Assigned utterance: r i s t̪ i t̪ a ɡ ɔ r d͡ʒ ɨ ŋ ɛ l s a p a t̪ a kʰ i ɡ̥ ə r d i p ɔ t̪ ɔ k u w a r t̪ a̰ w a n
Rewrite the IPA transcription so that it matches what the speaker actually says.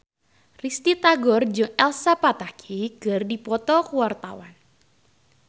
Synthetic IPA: r i s t̪ i t̪ a ɡ ɔ r d͡ʒ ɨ ŋ ɛ l s a p a t̪ a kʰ i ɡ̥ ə r d i p ɔ t̪ ɔ k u w a r t̪ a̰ w a n